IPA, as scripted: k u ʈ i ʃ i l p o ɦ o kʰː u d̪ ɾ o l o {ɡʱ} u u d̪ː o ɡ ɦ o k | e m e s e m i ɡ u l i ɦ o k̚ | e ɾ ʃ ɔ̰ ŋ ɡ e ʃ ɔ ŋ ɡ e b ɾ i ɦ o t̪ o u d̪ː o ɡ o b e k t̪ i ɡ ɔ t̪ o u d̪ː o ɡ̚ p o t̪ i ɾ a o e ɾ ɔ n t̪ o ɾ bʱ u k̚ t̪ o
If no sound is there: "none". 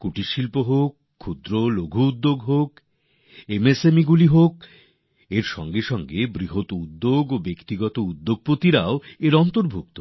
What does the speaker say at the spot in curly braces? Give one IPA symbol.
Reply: ɡʱ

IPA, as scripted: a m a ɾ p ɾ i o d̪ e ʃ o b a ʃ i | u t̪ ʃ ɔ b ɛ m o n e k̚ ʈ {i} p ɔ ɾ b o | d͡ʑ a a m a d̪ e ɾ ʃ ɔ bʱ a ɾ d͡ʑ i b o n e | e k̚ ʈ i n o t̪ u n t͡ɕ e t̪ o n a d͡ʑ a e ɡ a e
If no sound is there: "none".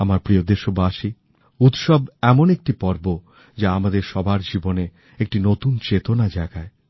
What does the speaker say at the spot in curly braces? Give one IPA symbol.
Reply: i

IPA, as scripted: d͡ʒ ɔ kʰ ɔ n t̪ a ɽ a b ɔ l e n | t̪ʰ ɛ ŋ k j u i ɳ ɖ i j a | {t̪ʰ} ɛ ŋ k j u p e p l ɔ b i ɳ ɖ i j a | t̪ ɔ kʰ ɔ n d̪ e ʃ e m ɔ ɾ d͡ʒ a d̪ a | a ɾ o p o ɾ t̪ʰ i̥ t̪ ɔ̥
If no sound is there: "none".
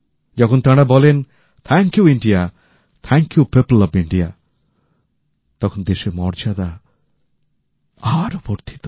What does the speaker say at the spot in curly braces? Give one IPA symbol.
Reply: t̪ʰ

